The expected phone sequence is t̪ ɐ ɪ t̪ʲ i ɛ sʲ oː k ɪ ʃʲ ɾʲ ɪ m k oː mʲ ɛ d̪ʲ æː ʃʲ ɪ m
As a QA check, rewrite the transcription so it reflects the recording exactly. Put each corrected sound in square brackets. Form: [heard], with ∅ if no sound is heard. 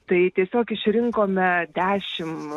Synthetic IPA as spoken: t̪ ɐ ɪ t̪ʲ i ɛ sʲ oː k ɪ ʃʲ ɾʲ ɪ [ŋ] k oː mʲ ɛ d̪ʲ æː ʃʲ ɪ m